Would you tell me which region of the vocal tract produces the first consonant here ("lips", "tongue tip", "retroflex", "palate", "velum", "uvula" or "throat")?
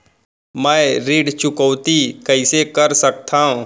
lips